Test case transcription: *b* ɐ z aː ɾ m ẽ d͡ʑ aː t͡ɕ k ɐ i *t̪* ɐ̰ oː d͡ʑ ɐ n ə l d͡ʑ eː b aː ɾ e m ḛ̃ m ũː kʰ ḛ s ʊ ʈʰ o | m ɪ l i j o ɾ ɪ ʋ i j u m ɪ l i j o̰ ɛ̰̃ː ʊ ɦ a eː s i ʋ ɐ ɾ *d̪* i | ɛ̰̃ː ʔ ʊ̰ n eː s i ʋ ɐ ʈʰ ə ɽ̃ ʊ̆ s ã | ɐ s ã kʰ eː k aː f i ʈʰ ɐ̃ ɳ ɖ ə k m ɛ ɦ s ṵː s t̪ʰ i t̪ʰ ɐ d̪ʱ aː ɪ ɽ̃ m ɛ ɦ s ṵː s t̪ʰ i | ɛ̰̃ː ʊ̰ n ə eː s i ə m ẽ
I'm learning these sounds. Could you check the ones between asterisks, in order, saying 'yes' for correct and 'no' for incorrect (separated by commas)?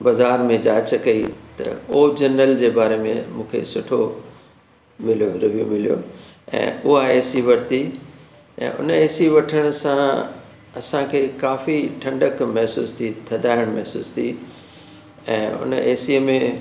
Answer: yes, yes, no